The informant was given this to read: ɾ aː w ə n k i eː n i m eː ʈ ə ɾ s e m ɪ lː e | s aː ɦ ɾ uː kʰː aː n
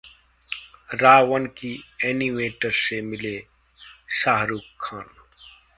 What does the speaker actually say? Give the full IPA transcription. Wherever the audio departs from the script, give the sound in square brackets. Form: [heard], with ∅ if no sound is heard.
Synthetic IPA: ɾ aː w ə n k i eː n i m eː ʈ ə ɾ s e m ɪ [l] e | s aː ɦ ɾ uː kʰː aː n

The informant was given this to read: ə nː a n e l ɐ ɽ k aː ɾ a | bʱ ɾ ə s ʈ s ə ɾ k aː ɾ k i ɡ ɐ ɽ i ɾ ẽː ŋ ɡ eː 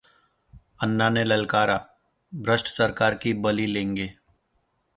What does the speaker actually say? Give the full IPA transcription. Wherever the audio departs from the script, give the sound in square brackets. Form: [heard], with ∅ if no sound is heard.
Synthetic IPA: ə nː a n e l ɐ [l] k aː ɾ a | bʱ ɾ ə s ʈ s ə ɾ k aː ɾ k i [b] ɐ [l] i [l] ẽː ŋ ɡ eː

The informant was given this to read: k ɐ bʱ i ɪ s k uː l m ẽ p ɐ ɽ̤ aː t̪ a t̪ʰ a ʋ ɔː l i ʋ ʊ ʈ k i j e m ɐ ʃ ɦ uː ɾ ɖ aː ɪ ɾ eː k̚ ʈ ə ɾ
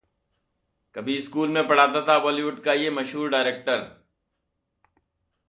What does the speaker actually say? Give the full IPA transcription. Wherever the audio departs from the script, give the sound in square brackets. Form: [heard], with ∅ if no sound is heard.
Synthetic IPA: k ɐ bʱ i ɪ s k uː l m ẽ p ɐ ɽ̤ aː t̪ a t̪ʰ a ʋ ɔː l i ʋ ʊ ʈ k [a] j e m ɐ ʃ ɦ uː ɾ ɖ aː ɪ ɾ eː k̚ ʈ ə ɾ

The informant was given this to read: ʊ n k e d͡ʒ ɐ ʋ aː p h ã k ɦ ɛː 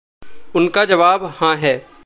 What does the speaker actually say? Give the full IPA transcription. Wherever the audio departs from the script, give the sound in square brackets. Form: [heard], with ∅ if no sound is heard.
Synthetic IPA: ʊ n k [a] d͡ʒ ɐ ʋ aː [b] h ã [∅] ɦ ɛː

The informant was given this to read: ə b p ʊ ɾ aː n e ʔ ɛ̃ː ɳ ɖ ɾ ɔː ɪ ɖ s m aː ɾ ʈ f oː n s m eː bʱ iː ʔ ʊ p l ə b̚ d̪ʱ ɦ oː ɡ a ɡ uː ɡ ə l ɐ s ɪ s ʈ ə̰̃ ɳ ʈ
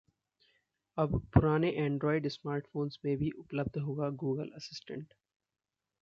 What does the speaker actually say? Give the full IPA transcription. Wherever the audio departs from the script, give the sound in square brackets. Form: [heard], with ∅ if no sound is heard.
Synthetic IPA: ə b p ʊ ɾ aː n e ʔ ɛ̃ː ɳ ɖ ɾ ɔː ɪ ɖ s m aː ɾ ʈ f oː n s m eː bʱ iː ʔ ʊ p l ə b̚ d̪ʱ ɦ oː ɡ a ɡ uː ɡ ə l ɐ s ɪ s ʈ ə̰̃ ɳ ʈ

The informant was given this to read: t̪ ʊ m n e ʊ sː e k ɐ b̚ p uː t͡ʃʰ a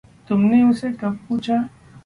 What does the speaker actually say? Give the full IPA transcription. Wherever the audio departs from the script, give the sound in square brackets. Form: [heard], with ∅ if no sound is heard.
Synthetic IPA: t̪ ʊ m n e ʊ [s] e k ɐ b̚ p uː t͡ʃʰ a

